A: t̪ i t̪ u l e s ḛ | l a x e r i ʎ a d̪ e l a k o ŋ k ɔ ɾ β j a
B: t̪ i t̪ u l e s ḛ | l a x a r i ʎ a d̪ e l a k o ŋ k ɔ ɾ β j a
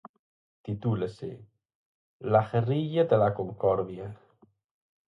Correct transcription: A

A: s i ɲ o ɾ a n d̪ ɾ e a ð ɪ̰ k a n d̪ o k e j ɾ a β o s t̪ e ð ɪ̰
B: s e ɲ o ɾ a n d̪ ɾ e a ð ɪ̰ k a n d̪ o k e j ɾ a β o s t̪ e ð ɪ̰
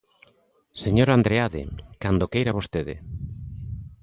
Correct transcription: B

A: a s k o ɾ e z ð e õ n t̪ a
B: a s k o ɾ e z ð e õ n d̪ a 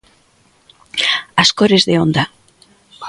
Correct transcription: B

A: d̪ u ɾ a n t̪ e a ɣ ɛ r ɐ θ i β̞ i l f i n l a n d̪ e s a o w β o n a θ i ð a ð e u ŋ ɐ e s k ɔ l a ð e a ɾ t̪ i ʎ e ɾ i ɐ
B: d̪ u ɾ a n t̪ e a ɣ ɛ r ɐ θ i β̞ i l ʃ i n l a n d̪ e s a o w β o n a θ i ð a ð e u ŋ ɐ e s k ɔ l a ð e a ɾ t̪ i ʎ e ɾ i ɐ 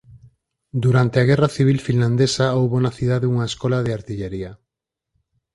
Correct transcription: A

